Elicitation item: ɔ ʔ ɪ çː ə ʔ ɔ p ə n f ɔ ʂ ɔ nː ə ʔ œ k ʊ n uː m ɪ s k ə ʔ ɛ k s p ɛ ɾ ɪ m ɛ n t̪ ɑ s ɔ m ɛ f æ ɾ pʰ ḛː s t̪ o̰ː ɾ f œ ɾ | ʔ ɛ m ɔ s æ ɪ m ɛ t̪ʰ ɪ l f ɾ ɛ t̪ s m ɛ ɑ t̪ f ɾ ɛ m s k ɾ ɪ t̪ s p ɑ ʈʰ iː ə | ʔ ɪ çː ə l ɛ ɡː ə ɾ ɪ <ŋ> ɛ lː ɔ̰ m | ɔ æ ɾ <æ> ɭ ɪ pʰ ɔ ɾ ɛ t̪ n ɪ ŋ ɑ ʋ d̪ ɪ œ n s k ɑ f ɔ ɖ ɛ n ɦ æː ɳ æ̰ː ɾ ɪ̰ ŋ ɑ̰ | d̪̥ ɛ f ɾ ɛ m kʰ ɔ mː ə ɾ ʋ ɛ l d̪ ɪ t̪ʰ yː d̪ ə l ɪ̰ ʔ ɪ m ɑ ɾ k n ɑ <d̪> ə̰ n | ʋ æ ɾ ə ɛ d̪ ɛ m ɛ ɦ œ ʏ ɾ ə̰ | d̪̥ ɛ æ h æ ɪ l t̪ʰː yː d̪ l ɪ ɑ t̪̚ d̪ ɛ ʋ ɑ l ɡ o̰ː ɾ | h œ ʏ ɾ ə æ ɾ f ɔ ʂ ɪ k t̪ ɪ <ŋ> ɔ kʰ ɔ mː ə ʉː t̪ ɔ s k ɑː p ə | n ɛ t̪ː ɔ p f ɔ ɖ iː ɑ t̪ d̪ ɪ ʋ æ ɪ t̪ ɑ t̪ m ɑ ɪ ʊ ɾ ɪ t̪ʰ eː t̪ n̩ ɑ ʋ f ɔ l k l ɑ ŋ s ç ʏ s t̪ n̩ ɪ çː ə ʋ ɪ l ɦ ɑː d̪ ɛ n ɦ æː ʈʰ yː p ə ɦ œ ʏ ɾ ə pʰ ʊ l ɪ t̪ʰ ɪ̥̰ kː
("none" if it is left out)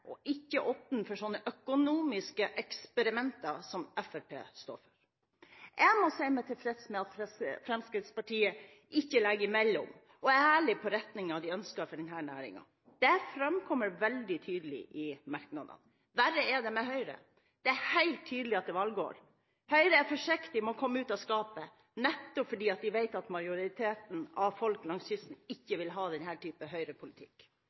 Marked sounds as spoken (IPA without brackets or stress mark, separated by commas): m, æː, d̪, m